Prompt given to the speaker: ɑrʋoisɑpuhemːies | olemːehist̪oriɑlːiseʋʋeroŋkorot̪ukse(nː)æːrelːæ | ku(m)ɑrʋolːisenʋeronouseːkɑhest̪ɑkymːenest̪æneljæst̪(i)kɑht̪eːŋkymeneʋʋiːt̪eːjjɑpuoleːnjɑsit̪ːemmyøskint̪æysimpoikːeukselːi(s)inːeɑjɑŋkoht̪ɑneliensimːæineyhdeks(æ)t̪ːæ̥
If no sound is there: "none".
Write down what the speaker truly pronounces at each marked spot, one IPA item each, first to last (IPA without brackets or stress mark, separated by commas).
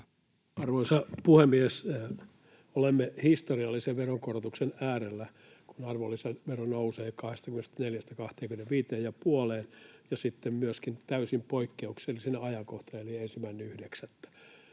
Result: n, n, æ, s, æ